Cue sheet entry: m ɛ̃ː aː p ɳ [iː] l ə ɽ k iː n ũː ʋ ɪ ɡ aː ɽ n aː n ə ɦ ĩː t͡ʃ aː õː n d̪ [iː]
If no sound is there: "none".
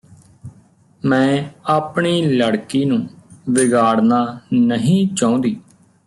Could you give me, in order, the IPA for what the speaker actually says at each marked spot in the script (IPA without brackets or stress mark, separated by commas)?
iː, iː